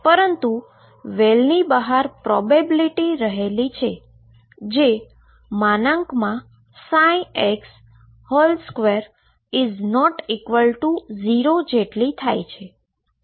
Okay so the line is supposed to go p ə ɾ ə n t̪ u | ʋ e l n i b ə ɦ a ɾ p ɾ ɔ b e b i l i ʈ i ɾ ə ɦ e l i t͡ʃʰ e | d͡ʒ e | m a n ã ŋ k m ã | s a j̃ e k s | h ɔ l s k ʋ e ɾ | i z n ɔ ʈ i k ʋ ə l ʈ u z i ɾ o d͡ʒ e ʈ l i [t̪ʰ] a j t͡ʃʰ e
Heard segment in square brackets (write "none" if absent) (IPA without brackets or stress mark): t̪ʰ